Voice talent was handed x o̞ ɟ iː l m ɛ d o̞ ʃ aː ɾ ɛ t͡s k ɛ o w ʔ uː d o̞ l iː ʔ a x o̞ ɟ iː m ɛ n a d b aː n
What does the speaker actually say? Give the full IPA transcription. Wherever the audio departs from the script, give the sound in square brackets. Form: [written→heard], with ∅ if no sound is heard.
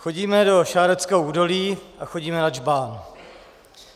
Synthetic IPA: x o̞ ɟ iː [l→∅] m ɛ d o̞ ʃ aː ɾ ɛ t͡s k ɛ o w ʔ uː d o̞ l iː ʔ a x o̞ ɟ iː m ɛ n a [d→d͡ʒ] b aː n